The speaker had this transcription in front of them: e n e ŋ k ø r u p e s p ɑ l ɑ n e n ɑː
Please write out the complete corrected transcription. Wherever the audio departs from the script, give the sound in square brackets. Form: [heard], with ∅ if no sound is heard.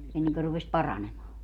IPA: e [nː] e ŋ k ø r u p e s p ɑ [r] ɑ n e [m] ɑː